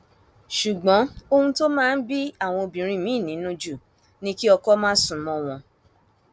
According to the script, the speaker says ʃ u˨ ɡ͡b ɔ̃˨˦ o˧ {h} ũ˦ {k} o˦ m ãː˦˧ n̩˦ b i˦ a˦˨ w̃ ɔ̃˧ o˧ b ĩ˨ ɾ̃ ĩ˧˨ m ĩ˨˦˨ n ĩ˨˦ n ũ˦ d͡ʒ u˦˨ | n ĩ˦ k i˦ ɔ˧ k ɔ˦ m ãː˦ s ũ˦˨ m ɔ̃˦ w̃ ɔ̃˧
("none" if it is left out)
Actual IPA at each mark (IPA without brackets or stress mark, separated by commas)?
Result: h, t